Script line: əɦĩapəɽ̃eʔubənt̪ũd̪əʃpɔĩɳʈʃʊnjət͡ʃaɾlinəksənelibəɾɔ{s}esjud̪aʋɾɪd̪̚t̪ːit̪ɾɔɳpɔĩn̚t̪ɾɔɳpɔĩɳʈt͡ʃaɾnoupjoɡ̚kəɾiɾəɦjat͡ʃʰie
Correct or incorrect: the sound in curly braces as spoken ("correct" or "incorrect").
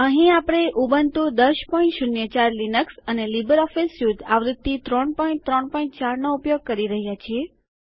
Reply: incorrect